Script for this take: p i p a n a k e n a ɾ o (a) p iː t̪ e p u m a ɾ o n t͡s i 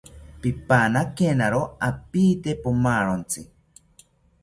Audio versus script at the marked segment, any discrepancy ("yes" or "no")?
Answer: no